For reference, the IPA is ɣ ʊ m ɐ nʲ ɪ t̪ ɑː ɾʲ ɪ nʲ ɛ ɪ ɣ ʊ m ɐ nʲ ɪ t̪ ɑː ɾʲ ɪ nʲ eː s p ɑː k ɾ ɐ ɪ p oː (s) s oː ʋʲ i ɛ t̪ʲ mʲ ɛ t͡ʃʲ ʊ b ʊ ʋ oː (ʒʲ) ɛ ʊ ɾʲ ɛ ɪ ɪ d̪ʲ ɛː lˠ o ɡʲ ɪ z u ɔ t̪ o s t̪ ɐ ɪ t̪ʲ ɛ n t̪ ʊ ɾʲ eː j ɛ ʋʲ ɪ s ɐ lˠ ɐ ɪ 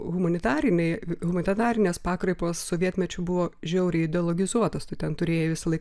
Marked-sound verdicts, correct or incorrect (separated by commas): correct, correct